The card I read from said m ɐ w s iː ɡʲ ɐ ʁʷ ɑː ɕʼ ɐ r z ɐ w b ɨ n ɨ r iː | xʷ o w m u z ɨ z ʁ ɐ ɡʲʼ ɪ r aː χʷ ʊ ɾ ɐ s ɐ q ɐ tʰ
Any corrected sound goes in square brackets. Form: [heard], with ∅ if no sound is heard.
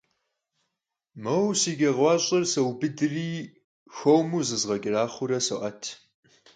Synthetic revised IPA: m ɐ w s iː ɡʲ ɐ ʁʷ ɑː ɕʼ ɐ r [s] ɐ w b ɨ [d] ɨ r iː | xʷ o w m u z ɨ z ʁ ɐ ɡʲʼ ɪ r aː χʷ ʊ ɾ ɐ s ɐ [ʔ] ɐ tʰ